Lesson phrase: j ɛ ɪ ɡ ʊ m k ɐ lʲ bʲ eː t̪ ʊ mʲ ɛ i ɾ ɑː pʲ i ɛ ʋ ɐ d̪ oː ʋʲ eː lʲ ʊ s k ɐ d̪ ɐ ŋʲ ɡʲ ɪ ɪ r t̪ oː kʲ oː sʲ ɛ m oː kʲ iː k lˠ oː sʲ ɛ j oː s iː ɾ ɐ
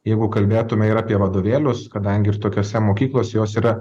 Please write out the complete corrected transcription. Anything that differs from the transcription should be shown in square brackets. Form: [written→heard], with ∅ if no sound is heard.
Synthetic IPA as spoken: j ɛ ɪ ɡ ʊ [m→∅] k ɐ lʲ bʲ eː t̪ ʊ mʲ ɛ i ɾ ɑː pʲ i ɛ ʋ ɐ d̪ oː ʋʲ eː lʲ ʊ s k ɐ d̪ ɐ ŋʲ ɡʲ ɪ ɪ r t̪ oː kʲ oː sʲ ɛ m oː kʲ iː k lˠ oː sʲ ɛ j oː s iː ɾ ɐ